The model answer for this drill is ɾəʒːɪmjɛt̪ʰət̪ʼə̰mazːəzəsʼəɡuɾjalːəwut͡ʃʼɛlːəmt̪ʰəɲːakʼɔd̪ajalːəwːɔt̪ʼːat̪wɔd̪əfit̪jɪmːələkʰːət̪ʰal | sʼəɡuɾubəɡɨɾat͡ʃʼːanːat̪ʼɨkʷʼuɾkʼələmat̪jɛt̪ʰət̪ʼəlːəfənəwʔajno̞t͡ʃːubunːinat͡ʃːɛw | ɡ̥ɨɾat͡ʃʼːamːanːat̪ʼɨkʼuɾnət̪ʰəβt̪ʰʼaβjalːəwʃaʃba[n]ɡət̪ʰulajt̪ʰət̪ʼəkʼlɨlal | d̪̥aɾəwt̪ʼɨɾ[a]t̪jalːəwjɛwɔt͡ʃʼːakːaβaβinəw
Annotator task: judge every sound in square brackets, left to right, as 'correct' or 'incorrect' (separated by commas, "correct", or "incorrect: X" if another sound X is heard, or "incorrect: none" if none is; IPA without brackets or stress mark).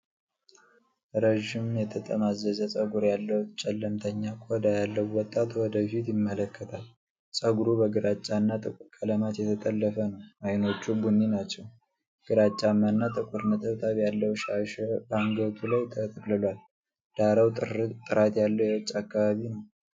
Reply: incorrect: ŋ, correct